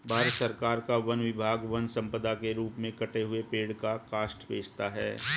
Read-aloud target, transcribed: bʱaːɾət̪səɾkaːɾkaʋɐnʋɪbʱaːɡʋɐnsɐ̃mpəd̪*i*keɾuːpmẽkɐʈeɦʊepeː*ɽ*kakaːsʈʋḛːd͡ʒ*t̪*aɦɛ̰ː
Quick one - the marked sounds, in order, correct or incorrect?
incorrect: a, correct, correct

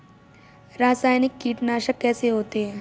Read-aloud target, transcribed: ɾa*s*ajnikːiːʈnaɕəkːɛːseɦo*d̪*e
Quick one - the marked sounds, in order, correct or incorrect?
correct, incorrect: t̪

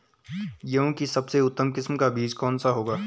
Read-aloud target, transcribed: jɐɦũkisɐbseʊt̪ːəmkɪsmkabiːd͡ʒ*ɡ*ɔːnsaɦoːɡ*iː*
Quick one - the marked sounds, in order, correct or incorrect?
incorrect: k, incorrect: aː

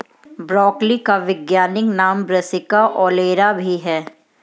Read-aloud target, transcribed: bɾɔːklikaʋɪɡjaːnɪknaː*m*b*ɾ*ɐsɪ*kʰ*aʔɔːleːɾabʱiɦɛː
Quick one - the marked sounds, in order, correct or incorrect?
correct, correct, incorrect: k

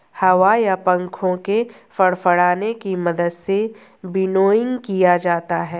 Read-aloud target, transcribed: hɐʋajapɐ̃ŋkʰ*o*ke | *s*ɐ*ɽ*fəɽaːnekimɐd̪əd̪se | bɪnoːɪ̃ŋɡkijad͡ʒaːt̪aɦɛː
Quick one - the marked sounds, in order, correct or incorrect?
incorrect: õ, incorrect: f, correct

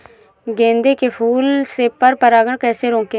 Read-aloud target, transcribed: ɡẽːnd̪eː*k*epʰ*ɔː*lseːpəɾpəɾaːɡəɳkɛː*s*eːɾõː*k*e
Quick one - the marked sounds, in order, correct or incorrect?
correct, incorrect: uː, correct, correct

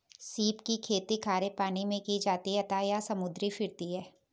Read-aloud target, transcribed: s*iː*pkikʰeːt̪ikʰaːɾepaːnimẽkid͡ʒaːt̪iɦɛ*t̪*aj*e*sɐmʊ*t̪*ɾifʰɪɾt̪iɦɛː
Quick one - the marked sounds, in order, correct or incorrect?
correct, correct, incorrect: a, incorrect: d̪

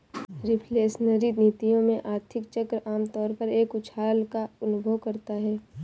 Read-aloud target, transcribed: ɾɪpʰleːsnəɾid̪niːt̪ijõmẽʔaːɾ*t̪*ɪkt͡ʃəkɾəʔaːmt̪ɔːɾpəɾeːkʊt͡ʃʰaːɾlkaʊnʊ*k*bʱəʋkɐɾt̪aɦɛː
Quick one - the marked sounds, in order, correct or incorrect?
incorrect: t̪ʰ, incorrect: none

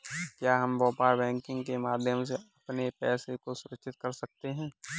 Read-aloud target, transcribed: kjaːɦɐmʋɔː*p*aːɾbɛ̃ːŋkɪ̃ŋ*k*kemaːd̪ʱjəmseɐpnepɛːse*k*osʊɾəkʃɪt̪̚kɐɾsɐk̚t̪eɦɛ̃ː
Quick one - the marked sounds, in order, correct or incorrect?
correct, incorrect: ɡ, correct

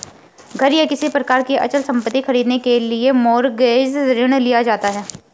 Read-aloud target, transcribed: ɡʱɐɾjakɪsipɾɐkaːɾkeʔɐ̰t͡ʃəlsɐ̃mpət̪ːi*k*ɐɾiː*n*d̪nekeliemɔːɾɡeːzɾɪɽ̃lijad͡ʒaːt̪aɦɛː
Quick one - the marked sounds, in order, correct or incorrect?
incorrect: x, incorrect: none

